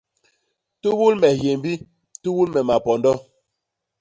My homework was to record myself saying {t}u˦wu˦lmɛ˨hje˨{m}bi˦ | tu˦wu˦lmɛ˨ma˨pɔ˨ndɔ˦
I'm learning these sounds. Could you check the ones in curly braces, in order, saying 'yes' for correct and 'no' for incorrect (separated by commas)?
yes, yes